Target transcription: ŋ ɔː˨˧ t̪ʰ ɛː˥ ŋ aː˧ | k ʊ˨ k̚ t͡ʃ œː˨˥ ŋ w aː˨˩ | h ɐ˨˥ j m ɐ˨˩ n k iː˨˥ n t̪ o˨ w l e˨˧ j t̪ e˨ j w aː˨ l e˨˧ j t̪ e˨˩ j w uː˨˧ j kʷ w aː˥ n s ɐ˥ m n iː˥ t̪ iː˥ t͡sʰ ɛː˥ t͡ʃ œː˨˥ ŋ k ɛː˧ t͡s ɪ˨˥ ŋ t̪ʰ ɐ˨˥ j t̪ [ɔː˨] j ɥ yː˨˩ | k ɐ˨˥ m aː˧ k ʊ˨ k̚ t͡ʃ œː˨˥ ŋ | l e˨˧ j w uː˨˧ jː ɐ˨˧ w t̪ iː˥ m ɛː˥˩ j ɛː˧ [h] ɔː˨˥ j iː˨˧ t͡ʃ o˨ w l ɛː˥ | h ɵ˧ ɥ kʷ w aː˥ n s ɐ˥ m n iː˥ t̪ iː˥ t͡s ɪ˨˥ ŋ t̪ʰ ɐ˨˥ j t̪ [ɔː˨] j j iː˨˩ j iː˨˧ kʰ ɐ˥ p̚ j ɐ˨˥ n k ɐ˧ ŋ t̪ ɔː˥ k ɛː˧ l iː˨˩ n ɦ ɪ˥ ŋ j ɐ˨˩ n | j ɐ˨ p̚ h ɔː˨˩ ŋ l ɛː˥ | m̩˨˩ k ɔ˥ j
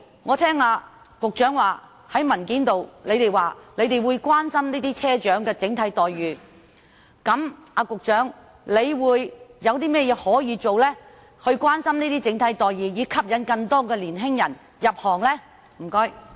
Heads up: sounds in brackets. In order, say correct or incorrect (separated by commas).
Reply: correct, correct, correct